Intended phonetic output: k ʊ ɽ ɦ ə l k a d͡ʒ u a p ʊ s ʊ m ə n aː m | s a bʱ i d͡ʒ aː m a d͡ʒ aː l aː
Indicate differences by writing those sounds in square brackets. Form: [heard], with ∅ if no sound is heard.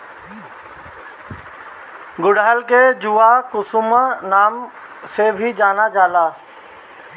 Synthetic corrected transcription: [ɡ] ʊ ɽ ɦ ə l k [e] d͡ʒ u a [k] ʊ s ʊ m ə n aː m | s [e] bʱ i d͡ʒ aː [n] a d͡ʒ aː l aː